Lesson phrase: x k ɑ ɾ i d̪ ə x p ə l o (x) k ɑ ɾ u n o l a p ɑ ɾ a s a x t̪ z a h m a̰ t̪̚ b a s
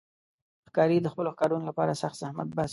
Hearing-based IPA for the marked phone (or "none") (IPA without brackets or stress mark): x